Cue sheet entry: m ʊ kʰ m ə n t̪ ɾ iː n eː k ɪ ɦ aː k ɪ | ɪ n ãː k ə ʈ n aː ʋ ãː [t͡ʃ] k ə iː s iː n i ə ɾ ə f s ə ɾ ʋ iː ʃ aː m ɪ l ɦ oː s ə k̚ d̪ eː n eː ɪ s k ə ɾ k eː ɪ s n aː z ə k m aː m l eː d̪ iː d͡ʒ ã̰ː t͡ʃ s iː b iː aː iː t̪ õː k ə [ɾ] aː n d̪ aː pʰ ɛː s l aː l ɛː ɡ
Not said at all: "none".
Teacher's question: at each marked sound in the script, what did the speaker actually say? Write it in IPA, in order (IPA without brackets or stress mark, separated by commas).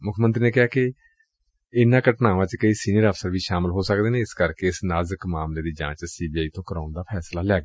t͡ʃ, ɾ